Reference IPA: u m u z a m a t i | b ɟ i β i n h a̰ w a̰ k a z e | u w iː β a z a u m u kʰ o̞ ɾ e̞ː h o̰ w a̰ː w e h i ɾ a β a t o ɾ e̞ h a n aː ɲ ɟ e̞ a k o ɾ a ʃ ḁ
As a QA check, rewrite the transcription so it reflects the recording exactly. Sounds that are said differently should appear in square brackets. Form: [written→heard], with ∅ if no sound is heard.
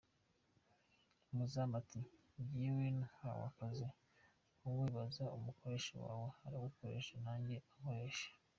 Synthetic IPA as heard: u m u z a m a t i | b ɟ i [β→w] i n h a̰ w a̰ k a z e | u w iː β a z a u m u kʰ o̞ ɾ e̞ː [h→ʃ] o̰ w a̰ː w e h [i→a] ɾ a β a [t→k] o ɾ e̞ [h→ʃ] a n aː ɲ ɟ e̞ a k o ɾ [a→e] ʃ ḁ

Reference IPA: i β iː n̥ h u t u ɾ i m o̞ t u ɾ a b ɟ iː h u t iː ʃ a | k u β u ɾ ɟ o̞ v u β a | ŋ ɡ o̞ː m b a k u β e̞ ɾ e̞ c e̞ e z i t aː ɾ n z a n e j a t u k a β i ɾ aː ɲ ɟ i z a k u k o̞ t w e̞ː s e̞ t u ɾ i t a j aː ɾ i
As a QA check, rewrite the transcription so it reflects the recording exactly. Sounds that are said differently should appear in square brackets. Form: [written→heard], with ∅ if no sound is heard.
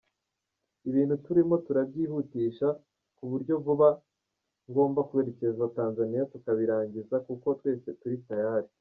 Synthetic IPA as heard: i β iː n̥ h u t u ɾ i m o̞ t u ɾ a b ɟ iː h u t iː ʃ a | k u β u ɾ ɟ o̞ v u β a | ŋ ɡ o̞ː m b a k u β e̞ ɾ e̞ c e̞ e z [i→a] t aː [ɾ→∅] n z a n [e→i] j a t u k a β i ɾ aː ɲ ɟ i z a k u k o̞ t w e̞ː s e̞ t u ɾ i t a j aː ɾ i

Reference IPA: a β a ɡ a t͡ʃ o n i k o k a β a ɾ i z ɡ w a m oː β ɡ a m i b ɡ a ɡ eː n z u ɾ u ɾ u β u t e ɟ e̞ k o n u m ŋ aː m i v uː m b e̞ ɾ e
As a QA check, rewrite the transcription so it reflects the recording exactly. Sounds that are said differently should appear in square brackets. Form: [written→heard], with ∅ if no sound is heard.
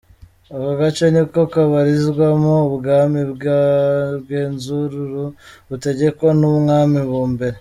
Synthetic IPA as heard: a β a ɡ a t͡ʃ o n i k o k a β a ɾ i z ɡ w a m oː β ɡ a m i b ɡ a ɡ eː n z u ɾ u ɾ u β u t e ɟ e̞ k o n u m ŋ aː m i [v→β] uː m b e̞ ɾ e

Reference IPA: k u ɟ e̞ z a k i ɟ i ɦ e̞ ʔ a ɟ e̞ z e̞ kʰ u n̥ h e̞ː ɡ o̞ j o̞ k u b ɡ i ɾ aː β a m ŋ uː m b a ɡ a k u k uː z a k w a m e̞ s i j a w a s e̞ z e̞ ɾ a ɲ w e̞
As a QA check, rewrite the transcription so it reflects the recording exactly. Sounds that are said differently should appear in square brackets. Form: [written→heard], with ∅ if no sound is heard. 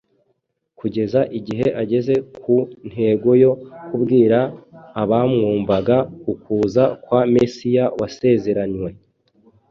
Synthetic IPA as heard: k u ɟ e̞ z a [k→ʔ] i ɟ i ɦ e̞ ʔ a ɟ e̞ z e̞ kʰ u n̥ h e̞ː ɡ o̞ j o̞ k u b ɡ [i→iː] ɾ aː β a m ŋ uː m b a ɡ a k u k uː z a k w a m e̞ s i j a w a s e̞ z e̞ ɾ a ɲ w e̞

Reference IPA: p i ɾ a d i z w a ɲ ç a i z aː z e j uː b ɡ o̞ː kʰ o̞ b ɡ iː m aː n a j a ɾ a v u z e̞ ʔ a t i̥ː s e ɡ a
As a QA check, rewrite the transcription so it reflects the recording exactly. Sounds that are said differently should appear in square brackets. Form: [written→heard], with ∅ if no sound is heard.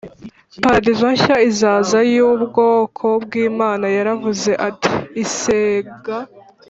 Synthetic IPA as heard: p [i→a] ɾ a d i z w a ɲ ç a i z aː z [e→a] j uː b ɡ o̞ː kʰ o̞ b ɡ iː m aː n a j a ɾ a v u z e̞ ʔ a t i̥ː s e ɡ a

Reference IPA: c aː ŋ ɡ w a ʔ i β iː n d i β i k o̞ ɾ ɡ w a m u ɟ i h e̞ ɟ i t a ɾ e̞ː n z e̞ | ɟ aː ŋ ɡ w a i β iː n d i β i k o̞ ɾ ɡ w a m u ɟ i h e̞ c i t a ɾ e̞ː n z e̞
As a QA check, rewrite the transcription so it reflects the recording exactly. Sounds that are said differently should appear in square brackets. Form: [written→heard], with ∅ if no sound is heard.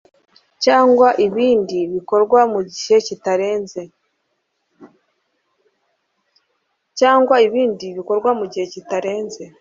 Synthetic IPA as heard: c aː ŋ ɡ w a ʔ i β iː n d i β i k o̞ ɾ ɡ w a m u ɟ i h e̞ [ɟ→c] i t a ɾ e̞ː n z e̞ | [ɟ→c] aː ŋ ɡ w a i β iː n d i β i k o̞ ɾ ɡ w a m u ɟ i h e̞ c i t a ɾ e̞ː n z e̞

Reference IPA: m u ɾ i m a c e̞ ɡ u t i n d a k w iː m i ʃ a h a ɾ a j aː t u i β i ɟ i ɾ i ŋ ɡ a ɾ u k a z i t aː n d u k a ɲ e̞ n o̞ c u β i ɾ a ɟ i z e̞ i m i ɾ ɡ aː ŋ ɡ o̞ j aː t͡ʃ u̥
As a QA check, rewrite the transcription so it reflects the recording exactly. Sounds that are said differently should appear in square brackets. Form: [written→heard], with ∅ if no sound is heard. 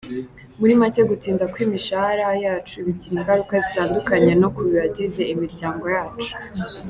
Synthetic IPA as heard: m u ɾ i m a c e̞ ɡ u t [i→iː] n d a k w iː m i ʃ a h a ɾ a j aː [t→t͡ʃ] u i β i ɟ i ɾ i ŋ ɡ a ɾ u k a z i t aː n d u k a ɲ e̞ n o̞ [c→k] u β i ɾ a ɟ i z e̞ i m i ɾ [ɡ→ɟ] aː ŋ ɡ o̞ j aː t͡ʃ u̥

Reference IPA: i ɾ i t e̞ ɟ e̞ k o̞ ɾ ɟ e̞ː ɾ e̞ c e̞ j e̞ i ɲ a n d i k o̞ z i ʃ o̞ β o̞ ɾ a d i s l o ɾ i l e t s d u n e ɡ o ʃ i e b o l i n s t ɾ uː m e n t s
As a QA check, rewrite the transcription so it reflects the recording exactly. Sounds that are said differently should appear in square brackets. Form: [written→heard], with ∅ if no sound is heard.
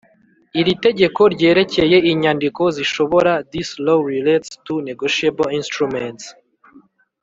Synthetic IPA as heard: i ɾ i t e̞ ɟ e̞ k o̞ ɾ ɟ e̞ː ɾ e̞ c e̞ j e̞ i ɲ a n d i k o̞ z i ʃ o̞ β o̞ ɾ a d i s l o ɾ i l e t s [d→t] u n e ɡ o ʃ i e b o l i n s t ɾ [uː→u] m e n t s

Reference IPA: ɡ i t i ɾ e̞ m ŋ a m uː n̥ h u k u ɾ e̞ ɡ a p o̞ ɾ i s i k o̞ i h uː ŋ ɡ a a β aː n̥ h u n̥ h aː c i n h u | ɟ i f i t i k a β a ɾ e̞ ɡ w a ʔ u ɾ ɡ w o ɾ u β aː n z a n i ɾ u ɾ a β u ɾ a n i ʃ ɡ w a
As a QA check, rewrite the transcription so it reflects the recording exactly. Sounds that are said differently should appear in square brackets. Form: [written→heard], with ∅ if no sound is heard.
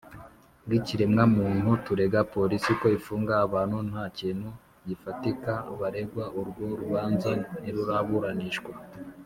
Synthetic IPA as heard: ɡ i [t→c] i ɾ e̞ m ŋ a m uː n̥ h u [k→t] u ɾ e̞ ɡ a p o̞ ɾ i s i k o̞ i [h→f] uː ŋ ɡ a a β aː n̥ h u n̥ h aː c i n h u | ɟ i f [i→a] t i k a β a ɾ e̞ ɡ w a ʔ u ɾ ɡ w o ɾ u β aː n z a n i ɾ u ɾ a β u ɾ a n i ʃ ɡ w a

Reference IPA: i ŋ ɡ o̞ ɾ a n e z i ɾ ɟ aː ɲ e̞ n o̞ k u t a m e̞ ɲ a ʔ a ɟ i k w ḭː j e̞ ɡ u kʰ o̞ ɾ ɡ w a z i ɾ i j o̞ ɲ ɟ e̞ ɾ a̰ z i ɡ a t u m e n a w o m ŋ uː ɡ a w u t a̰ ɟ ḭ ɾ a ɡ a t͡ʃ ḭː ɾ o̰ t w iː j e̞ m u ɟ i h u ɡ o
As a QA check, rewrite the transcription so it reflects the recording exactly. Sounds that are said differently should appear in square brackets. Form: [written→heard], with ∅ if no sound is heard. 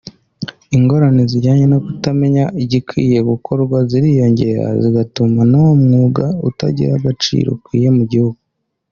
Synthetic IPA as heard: i ŋ ɡ o̞ ɾ a n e z i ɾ ɟ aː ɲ e̞ n o̞ k u t a m e̞ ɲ a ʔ [a→i] ɟ i k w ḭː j e̞ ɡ u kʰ o̞ ɾ ɡ w a z i ɾ i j o̞ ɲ ɟ e̞ ɾ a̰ z i ɡ a t u m [e→a] n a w o m ŋ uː ɡ a [w→∅] u t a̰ ɟ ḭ ɾ a ɡ a t͡ʃ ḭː ɾ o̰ [t→k] w iː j e̞ m u ɟ i h u ɡ [o→u]

